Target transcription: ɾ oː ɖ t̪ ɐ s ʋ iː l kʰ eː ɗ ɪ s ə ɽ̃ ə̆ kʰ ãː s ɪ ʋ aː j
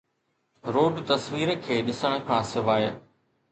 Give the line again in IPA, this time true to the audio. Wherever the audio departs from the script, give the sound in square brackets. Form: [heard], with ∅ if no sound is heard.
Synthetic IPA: ɾ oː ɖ t̪ ɐ s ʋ iː [ɾ] kʰ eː ɗ ɪ s ə ɽ̃ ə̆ kʰ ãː s ɪ ʋ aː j